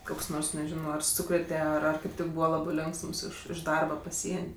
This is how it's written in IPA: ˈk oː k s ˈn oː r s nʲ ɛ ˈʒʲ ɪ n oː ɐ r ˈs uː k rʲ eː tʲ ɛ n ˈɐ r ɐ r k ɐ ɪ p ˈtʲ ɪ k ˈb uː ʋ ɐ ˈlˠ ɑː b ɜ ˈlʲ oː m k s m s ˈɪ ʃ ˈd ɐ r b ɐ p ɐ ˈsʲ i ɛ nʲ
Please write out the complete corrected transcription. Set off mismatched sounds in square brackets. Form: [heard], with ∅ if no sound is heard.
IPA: ˈk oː k s ˈn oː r s nʲ ɛ ˈʒʲ ɪ n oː ɐ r ˈs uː k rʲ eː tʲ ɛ [∅] ˈɐ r ɐ r k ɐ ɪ p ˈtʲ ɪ k ˈb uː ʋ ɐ ˈlˠ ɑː b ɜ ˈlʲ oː [ŋ] k s m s ˈɪ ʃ ˈd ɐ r b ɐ p ɐ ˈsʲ i ɛ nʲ